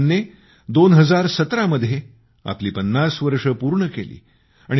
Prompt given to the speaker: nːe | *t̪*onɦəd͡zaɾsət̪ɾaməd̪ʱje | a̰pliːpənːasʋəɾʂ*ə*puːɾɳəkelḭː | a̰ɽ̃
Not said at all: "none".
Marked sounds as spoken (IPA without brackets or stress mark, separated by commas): d̪, ə